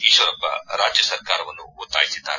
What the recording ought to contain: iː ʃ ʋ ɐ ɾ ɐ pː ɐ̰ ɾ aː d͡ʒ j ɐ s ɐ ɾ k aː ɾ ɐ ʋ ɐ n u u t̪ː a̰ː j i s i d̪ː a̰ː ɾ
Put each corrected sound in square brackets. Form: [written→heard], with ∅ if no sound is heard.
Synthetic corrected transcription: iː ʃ ʋ ɐ ɾ ɐ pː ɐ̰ ɾ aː d͡ʒ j ɐ s ɐ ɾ k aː ɾ ɐ ʋ ɐ [n→nː] u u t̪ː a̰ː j i s i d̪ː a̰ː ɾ